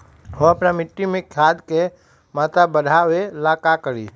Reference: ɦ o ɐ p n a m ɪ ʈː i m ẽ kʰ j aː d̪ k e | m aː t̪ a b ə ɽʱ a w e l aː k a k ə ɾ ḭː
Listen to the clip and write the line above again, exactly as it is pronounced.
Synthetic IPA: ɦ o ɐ p n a m ɪ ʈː i m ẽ kʰ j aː d̪ k e | m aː t̪ a b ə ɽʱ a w e l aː k a k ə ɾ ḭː